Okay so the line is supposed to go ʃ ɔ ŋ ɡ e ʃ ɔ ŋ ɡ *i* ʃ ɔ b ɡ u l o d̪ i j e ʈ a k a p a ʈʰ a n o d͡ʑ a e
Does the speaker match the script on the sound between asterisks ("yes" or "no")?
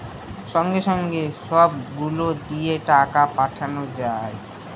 no